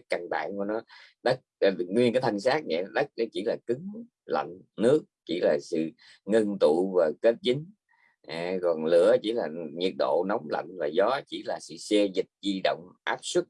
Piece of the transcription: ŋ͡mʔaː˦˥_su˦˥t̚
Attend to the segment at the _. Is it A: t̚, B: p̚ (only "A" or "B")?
B